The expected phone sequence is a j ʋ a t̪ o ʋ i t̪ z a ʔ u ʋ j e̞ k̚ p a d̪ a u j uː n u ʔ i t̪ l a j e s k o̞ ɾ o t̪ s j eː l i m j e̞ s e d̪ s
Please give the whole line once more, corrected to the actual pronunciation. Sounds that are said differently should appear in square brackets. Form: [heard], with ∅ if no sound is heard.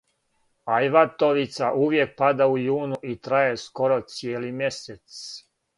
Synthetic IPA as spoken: a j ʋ a t̪ o ʋ i t̪ [s] a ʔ u ʋ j e̞ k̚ p a d̪ a u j uː n u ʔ i t̪ [ɾ] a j e s k o̞ ɾ o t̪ s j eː l i m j e̞ s e [t̪] s